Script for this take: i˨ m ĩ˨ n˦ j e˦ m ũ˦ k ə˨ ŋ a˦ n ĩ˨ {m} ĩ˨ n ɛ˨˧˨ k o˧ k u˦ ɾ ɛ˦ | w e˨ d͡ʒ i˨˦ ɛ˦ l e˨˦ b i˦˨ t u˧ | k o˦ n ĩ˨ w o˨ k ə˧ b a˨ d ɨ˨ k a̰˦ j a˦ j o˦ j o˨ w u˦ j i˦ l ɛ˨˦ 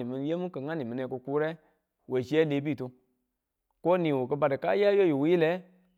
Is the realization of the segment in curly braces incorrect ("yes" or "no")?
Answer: no